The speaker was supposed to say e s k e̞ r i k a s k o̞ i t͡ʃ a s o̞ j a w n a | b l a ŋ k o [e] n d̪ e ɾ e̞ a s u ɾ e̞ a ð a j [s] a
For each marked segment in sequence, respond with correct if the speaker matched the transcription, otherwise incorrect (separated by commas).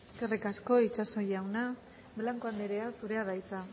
incorrect, incorrect